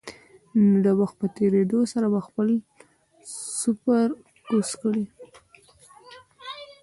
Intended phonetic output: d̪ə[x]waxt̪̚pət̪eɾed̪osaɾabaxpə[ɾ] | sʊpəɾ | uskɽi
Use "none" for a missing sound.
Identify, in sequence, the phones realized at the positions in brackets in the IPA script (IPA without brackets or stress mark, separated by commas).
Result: none, l